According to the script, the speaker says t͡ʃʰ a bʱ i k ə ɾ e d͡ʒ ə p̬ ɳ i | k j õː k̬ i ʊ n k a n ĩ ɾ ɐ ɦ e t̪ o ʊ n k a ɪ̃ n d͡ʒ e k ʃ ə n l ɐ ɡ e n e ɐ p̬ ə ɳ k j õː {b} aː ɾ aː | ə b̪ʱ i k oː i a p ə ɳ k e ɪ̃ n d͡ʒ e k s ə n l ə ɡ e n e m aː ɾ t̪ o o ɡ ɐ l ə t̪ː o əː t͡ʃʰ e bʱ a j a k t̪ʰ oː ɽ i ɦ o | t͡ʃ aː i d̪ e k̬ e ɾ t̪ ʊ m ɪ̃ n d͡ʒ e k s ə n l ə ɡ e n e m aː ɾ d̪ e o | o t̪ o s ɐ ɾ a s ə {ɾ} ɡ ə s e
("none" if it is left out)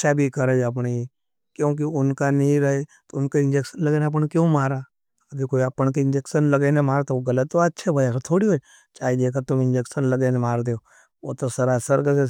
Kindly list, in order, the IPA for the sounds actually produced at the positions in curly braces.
m, ɾ

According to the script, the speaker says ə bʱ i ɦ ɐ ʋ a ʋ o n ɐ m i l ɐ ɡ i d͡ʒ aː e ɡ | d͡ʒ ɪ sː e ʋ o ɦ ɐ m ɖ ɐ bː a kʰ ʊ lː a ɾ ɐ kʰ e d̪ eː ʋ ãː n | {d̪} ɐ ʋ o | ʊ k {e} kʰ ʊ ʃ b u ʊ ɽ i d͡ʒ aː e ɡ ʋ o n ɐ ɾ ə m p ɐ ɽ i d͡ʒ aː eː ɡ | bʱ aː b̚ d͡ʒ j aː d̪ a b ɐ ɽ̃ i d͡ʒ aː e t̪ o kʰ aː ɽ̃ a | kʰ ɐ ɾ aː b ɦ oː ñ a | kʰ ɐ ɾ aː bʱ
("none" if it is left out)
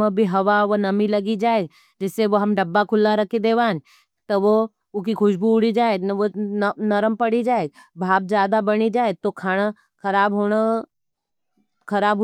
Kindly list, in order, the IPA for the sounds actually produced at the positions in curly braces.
t̪, i

